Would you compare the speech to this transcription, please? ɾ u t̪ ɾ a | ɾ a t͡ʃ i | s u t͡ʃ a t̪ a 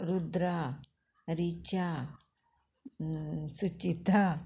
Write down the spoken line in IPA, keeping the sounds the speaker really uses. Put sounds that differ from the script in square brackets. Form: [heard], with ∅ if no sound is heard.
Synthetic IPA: ɾ u [d̪] ɾ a | ɾ [i] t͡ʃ [a] | s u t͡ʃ [i] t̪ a